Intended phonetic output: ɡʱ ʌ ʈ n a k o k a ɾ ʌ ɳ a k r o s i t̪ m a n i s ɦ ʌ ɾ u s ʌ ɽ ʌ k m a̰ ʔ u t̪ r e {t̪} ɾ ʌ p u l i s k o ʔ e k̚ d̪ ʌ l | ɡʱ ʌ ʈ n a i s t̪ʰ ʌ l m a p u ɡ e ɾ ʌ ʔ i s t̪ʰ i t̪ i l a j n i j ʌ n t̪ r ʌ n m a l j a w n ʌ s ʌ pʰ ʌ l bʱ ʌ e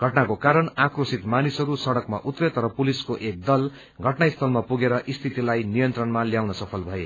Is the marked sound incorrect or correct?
correct